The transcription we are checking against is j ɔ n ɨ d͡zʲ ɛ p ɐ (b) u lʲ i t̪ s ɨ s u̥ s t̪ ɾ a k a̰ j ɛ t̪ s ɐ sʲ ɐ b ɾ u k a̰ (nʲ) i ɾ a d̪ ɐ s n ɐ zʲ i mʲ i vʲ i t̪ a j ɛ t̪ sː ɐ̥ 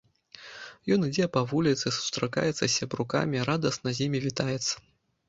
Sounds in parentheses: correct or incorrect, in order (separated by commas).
incorrect, incorrect